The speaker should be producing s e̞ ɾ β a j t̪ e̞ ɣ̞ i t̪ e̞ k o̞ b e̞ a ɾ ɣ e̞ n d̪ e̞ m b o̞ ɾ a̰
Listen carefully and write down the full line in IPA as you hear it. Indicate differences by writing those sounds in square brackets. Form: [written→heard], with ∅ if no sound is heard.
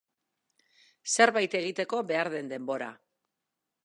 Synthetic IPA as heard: s e̞ ɾ β a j t̪ e̞ ɣ̞ i t̪ e̞ k o̞ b e̞ a ɾ [ɣ→ð] e̞ n d̪ e̞ m b o̞ ɾ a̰